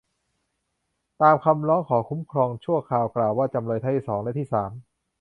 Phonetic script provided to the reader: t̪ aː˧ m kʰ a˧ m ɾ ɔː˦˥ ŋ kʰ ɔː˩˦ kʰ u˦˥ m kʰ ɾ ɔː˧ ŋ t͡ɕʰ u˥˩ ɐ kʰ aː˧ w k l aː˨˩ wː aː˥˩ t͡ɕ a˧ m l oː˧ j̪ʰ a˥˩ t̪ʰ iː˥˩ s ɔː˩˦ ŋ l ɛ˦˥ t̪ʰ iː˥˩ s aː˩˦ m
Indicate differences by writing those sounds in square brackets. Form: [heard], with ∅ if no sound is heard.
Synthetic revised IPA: t̪ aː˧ m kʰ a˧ m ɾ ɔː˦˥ ŋ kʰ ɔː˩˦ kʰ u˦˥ m kʰ ɾ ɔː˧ ŋ t͡ɕʰ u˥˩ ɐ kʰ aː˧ w k l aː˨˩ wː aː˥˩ t͡ɕ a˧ m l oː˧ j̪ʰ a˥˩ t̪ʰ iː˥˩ s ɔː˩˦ ŋ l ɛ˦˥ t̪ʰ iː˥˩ s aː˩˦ m